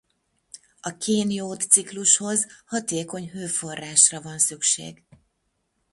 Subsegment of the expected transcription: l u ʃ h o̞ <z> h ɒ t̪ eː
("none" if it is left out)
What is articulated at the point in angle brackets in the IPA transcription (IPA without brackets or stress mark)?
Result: z